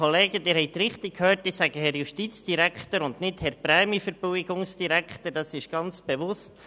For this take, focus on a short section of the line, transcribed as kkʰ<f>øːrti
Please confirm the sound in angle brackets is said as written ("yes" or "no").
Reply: no